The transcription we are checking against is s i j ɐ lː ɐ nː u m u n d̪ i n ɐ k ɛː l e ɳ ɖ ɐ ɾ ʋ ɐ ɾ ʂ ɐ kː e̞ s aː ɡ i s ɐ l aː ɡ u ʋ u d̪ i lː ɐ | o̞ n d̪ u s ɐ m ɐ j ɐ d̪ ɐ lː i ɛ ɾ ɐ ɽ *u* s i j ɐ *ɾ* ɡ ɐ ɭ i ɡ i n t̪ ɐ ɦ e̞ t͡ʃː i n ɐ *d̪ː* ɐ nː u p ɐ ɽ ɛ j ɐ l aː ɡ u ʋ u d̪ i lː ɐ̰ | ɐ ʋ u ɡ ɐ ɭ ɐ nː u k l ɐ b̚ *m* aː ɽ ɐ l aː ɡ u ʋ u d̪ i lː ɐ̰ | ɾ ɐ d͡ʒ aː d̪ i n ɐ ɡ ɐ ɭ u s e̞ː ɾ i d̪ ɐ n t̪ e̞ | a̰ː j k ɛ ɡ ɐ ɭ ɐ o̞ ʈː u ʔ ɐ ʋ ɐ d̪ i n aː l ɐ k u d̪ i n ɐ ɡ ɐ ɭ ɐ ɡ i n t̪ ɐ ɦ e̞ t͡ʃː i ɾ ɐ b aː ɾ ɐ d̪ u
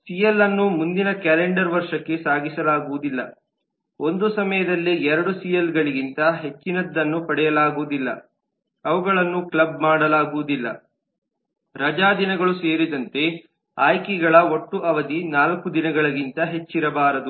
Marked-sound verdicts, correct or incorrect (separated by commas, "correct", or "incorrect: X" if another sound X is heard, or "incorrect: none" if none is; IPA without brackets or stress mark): correct, incorrect: l, correct, correct